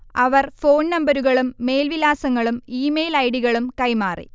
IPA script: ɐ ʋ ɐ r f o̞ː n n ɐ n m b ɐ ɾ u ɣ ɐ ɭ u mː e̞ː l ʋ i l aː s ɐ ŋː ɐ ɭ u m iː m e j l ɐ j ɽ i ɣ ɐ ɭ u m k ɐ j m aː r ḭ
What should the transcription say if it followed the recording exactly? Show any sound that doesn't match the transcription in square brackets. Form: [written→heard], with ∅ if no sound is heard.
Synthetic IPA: ɐ ʋ ɐ r f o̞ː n n ɐ [n→∅] m b ɐ ɾ u ɣ ɐ ɭ u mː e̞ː l ʋ i l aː s ɐ ŋː ɐ ɭ u m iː m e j l ɐ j ɽ i ɣ ɐ ɭ u m k ɐ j m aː r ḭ

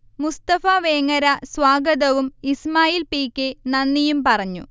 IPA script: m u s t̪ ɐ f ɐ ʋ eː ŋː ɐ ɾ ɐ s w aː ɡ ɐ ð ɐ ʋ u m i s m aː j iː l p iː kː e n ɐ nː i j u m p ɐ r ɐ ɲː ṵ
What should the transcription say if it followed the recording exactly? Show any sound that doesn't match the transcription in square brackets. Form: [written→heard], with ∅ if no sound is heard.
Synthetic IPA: m u s t̪ ɐ f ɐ ʋ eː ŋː ɐ ɾ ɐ s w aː ɡ ɐ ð ɐ ʋ u m i s m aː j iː l p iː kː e n ɐ nː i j u m p ɐ r ɐ ɲː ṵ

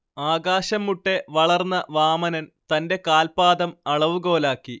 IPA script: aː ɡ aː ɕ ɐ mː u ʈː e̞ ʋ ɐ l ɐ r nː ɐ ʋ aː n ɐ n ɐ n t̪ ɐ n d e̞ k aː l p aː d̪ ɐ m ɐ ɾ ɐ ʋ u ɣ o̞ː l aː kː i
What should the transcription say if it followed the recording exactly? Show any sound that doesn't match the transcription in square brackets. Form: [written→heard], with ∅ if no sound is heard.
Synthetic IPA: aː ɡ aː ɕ ɐ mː u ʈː e̞ ʋ ɐ [l→ɭ] ɐ r nː ɐ ʋ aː [n→m] ɐ n ɐ n t̪ ɐ n d e̞ k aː l p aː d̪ ɐ m ɐ [ɾ→ɭ] ɐ ʋ u ɣ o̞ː l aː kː i

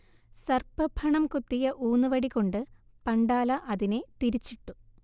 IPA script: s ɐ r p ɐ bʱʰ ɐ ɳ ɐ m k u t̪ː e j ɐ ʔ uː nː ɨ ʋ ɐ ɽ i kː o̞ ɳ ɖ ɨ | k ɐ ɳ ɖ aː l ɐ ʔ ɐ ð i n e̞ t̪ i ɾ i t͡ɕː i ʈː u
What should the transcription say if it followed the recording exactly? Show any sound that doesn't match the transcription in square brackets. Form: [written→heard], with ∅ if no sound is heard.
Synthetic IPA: s ɐ r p ɐ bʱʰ ɐ ɳ ɐ m k u t̪ː [e→i] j ɐ ʔ uː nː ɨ ʋ ɐ ɽ i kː o̞ ɳ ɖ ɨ | [k→p] ɐ ɳ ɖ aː l ɐ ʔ ɐ ð i n e̞ t̪ i ɾ i t͡ɕː i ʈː u

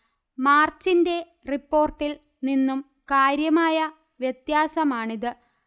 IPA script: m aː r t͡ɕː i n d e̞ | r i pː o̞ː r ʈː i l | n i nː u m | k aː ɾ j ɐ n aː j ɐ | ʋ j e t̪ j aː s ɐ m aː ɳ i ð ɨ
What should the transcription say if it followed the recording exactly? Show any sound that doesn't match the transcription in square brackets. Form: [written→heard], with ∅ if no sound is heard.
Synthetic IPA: m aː r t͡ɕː i n d e̞ | r i pː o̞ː r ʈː i l | n i nː u m | k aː ɾ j ɐ [n→m] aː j ɐ | ʋ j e t̪ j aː s ɐ m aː ɳ i ð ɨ

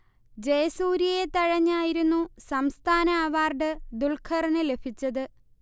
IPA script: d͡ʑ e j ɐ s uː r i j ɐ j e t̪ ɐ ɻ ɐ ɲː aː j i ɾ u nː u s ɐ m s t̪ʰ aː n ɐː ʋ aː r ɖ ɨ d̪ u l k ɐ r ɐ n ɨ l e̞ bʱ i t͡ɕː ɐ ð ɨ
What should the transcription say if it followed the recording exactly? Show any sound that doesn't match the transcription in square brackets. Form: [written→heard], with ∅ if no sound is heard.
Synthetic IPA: d͡ʑ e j ɐ s uː [r→ɾ] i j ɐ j e t̪ ɐ ɻ ɐ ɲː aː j i ɾ u nː u s ɐ m s t̪ʰ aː n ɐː ʋ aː r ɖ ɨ d̪ u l [k→kʰ] ɐ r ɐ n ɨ l e̞ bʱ i t͡ɕː ɐ ð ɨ

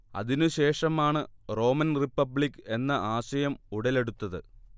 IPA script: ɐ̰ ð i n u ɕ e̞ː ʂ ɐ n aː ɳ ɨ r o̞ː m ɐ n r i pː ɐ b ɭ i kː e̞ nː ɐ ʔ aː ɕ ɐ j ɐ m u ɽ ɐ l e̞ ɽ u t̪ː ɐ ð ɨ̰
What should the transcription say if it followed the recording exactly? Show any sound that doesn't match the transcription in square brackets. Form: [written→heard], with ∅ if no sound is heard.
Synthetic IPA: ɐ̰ ð i n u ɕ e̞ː ʂ ɐ [n→m] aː ɳ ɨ r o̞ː m ɐ n r i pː ɐ b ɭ i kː e̞ nː ɐ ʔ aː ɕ ɐ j ɐ m u ɽ ɐ l e̞ ɽ u t̪ː ɐ ð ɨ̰

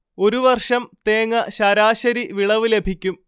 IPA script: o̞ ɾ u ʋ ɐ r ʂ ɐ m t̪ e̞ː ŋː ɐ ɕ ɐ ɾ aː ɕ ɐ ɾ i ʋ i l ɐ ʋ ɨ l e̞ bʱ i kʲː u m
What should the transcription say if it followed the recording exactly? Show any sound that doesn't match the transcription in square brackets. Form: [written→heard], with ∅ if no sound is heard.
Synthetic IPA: o̞ ɾ u ʋ ɐ r ʂ ɐ m t̪ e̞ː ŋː ɐ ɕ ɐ ɾ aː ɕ ɐ ɾ i ʋ i [l→ɭ] ɐ ʋ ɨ l e̞ bʱ i kʲː u m

